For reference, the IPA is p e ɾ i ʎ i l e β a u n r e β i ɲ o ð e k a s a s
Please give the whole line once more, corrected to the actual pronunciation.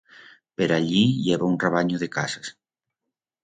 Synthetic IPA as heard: p e ɾ a ʎ i ʎ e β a u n r e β a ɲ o ð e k a s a s